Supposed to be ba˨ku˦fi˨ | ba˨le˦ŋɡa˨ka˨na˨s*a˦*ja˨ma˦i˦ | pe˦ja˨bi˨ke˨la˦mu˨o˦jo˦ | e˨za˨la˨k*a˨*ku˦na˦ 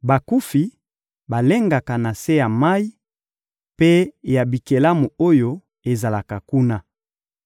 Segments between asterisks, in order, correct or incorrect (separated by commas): incorrect, correct